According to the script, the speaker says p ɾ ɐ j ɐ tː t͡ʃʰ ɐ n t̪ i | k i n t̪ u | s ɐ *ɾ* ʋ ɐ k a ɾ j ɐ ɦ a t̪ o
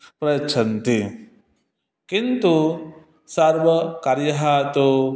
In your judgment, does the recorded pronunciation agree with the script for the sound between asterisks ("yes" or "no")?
yes